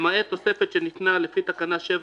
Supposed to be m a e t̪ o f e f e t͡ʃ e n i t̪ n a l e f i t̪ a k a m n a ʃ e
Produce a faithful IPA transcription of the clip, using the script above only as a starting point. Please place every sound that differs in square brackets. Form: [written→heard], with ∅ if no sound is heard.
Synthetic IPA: m a e t̪ o [f→s] e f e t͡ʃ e n i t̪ n a l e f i t̪ a k a [m→∅] n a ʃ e